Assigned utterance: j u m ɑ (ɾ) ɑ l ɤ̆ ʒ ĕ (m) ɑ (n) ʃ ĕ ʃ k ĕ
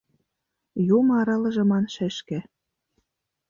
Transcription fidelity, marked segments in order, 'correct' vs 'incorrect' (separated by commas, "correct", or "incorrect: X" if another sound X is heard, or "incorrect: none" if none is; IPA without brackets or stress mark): correct, correct, correct